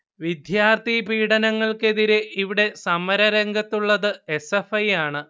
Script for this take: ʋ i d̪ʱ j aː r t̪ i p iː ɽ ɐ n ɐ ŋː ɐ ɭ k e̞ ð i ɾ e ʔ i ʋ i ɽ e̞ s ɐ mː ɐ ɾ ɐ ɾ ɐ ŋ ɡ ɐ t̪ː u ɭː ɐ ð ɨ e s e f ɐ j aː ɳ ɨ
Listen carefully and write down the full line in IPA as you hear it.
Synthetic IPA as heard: ʋ i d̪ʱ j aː r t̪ i p iː ɽ ɐ n ɐ ŋː ɐ ɭ k e̞ ð i ɾ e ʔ i ʋ i ɽ e̞ s ɐ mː ɐ ɾ ɐ ɾ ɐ ŋ ɡ ɐ t̪ː u ɭː ɐ ð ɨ e s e f ɐ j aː ɳ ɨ